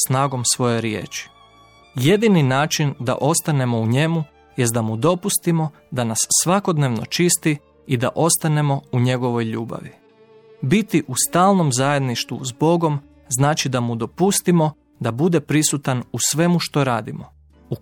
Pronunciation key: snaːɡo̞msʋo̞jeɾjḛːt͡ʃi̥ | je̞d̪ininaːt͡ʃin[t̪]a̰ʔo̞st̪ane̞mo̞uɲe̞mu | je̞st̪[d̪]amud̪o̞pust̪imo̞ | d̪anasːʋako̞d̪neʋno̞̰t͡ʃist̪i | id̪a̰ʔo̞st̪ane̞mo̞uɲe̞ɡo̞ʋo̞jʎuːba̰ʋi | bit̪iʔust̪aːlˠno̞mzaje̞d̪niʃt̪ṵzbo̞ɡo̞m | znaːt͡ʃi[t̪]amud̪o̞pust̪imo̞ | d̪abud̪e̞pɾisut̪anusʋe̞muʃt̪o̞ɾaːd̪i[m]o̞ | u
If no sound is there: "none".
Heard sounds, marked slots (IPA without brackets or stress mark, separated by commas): d̪, d̪, d̪, m